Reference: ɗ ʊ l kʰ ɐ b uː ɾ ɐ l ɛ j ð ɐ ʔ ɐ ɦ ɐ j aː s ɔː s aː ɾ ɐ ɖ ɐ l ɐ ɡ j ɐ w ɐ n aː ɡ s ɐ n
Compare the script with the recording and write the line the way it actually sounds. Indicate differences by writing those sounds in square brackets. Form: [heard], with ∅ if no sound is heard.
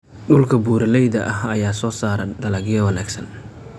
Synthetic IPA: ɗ ʊ l kʰ ɐ b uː ɾ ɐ l ɛ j ð ɐ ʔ ɐ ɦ ɐ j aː s ɔː s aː ɾ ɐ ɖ ɐ l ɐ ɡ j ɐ w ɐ n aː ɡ s ɐ n